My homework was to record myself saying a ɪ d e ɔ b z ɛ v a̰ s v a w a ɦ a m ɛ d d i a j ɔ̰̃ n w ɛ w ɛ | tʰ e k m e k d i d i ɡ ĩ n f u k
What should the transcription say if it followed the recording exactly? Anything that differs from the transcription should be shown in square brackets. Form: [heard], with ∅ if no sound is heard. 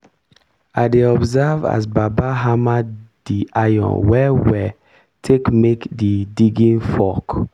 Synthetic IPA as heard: a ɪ d e ɔ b z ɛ v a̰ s [b] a [b] a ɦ a m [a] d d i a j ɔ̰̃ n w ɛ w ɛ | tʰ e k m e k d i d i ɡ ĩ n f [ɔ] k